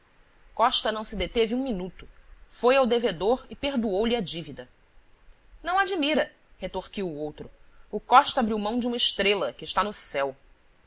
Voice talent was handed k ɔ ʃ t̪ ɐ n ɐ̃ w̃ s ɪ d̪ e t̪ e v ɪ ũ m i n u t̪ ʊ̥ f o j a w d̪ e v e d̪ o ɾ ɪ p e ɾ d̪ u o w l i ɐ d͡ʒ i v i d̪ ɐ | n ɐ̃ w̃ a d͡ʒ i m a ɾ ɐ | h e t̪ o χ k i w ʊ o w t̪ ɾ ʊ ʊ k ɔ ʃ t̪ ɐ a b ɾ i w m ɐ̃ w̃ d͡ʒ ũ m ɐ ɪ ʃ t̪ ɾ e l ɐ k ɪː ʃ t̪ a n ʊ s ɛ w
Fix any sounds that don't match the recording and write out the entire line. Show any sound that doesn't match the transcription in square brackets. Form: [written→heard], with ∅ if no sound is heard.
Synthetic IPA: k ɔ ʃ t̪ ɐ n ɐ̃ w̃ s ɪ d̪ e t̪ e v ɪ ũ m i n u t̪ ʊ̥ f o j a w d̪ e v e d̪ o ɾ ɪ p e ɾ d̪ u o w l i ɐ d͡ʒ i v i d̪ ɐ | n ɐ̃ w̃ a d͡ʒ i m [a→i] ɾ ɐ | h e t̪ o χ k i w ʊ o w t̪ ɾ ʊ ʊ k ɔ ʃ t̪ ɐ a b ɾ i w m ɐ̃ w̃ d͡ʒ ũ m ɐ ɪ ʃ t̪ ɾ e l ɐ k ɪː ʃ t̪ a n ʊ s ɛ w